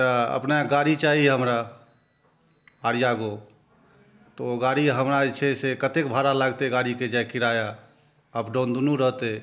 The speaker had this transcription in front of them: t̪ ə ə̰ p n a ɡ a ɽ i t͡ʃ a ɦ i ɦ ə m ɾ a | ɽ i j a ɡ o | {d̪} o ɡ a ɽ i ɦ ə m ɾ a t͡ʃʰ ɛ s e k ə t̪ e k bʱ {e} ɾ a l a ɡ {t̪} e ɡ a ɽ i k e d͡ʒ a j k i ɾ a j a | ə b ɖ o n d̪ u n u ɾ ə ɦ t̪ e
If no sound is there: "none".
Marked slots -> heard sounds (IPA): t̪, a, t̪

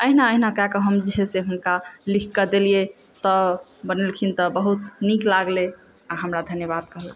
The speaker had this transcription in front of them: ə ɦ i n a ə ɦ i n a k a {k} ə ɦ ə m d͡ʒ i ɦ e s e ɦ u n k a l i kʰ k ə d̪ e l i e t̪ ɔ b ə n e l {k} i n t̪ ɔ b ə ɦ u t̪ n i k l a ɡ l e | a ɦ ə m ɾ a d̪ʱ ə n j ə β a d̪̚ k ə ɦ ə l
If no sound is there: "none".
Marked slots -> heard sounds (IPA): k, kʰ

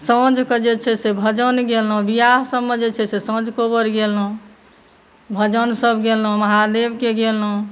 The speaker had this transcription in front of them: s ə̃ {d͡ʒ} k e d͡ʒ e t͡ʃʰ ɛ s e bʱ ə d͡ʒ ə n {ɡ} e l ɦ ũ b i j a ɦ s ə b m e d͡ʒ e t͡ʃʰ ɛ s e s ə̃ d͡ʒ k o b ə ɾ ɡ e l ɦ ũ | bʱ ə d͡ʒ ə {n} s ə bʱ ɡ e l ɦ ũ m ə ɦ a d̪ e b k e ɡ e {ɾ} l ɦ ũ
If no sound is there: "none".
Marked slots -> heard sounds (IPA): d͡ʒ, ɡ, n, none

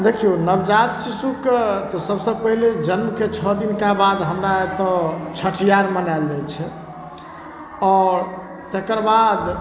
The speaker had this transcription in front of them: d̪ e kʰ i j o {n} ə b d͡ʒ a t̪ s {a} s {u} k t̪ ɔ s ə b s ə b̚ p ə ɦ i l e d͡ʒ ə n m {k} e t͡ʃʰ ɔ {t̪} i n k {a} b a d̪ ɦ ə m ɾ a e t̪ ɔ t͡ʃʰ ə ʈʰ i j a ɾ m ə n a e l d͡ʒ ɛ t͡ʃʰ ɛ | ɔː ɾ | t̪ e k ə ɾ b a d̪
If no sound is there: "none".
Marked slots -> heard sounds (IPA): n, i, u, k, d̪, a

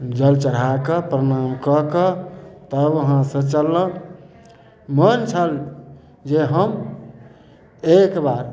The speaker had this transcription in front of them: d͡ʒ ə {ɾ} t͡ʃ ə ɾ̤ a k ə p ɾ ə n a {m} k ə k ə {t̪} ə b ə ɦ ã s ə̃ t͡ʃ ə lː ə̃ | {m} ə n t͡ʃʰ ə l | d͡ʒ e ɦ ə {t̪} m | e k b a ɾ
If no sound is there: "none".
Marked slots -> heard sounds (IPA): l, m, t̪, m, none

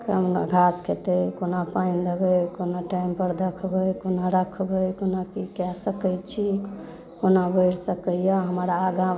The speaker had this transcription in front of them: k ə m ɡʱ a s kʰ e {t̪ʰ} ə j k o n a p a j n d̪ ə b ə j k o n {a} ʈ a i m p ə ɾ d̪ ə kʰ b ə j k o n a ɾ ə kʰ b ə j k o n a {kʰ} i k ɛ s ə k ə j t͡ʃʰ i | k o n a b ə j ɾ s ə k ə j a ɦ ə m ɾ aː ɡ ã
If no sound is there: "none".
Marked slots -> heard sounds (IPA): t̪, a, k

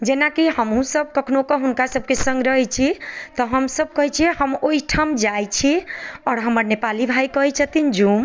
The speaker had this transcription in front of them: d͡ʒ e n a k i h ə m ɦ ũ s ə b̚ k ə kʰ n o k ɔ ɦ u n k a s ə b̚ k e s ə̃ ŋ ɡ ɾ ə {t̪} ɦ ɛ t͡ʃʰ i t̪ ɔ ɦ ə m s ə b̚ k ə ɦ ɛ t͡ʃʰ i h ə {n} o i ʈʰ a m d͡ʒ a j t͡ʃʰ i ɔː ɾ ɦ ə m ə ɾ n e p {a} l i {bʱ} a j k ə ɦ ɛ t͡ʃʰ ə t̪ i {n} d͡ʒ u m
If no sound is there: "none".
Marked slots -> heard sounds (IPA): none, m, a, bʱ, n

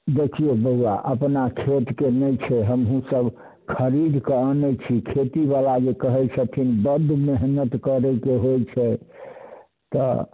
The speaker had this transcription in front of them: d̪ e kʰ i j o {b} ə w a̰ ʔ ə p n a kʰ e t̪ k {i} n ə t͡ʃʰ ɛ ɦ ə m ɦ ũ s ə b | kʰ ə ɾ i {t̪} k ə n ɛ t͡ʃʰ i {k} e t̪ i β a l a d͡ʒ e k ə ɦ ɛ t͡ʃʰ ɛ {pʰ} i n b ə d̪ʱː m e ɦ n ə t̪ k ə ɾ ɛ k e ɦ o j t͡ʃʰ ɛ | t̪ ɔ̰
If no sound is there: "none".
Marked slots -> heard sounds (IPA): b, e, d̪, kʰ, pʰ

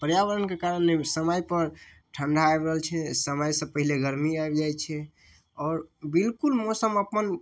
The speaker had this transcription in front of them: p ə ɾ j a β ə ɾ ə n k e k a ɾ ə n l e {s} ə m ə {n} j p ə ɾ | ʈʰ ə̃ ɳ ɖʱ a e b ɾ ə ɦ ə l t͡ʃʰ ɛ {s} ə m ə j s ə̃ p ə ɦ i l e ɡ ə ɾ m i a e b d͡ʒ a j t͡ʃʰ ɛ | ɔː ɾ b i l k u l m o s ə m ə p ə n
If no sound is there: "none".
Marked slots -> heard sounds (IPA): s, none, s

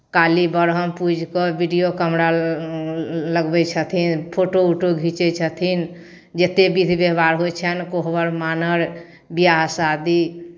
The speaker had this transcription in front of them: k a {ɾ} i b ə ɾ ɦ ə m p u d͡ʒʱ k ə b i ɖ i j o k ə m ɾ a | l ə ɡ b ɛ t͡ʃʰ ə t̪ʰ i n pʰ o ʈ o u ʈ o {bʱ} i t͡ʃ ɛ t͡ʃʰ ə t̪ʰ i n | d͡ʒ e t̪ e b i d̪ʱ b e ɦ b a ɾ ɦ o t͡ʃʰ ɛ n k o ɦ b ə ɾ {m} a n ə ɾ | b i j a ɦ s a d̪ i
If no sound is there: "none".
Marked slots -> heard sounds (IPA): l, ɡʱ, m

